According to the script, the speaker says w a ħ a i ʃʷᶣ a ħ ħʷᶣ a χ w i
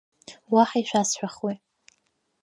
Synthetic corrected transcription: w a ħ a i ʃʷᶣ a s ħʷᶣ a χ w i

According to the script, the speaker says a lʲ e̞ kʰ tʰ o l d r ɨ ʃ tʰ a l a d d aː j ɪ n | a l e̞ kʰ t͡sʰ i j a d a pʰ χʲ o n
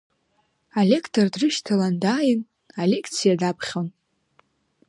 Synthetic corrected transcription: a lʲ e̞ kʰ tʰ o r d r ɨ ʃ tʰ a l a n d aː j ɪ n | a l e̞ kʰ t͡sʰ i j a d a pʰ χʲ o n

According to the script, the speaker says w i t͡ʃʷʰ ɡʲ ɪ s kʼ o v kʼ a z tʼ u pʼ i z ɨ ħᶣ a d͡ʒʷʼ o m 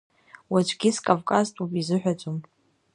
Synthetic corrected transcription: w a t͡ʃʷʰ ɡʲ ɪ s kʼ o v kʼ a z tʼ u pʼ i z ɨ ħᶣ a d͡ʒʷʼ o m

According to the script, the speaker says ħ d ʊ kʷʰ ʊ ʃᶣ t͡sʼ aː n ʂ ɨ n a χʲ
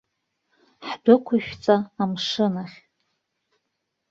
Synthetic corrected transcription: ħ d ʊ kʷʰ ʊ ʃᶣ t͡sʼ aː m ʂ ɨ n a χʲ

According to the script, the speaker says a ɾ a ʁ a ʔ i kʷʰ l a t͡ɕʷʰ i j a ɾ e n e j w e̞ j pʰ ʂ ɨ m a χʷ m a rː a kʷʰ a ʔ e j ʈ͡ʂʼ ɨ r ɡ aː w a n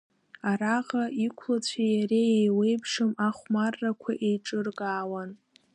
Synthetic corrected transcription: a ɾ a ʁ a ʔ i kʷʰ l a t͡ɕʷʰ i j a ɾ e e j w e̞ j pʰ ʂ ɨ m a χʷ m a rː a kʷʰ a ʔ e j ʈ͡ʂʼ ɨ r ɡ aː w a n

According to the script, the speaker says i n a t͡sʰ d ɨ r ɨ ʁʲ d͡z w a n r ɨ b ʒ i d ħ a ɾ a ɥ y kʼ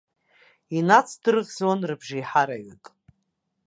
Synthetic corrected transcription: i n a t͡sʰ d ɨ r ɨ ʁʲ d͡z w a n r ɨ b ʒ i ħ a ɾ a ɥ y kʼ

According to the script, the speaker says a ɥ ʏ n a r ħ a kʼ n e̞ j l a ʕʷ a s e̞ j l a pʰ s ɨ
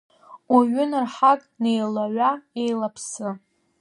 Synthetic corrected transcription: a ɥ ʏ n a r ħ a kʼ n e̞ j l a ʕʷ a e̞ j l a pʰ s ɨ

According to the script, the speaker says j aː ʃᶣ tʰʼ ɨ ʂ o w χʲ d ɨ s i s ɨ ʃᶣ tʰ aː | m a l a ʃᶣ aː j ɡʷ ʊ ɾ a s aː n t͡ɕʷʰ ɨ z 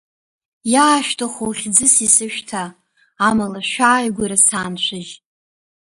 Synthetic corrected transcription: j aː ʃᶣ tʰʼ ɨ χ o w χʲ d͡z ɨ s i s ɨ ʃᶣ tʰ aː | m a l a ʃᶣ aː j ɡʷ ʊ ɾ a s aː n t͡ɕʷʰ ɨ ʒ

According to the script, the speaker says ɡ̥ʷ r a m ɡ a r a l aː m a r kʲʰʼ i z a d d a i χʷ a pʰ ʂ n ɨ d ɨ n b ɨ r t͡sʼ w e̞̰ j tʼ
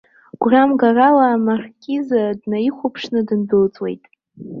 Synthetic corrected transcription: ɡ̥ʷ r a m ɡ a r a l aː m a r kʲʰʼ i z a d n a i χʷ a pʰ ʂ n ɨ d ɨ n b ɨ l t͡sʼ w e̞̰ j tʼ

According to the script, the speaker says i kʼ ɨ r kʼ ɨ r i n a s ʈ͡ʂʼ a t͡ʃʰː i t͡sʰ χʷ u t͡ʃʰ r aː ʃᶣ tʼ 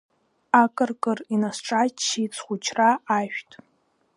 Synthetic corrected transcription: a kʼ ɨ r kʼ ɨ r i n a s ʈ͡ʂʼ a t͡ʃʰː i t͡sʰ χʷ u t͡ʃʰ r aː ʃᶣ tʼ

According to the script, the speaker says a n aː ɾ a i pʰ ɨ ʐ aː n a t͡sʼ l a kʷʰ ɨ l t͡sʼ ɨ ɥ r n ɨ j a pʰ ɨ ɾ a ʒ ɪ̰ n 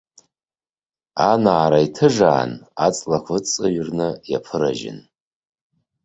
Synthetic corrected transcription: a n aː ɾ a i tʰ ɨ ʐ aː n a t͡sʼ l a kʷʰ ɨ t͡sʼ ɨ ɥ r n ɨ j a pʰ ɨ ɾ a ʒ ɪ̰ n

